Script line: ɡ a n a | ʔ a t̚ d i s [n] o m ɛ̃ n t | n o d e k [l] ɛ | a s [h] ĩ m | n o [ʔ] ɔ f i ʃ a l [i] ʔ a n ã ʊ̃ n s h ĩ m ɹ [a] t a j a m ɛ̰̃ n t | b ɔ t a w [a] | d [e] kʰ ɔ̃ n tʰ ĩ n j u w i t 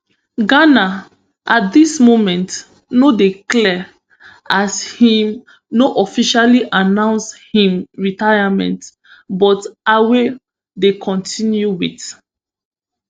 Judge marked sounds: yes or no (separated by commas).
no, yes, yes, yes, yes, no, no, yes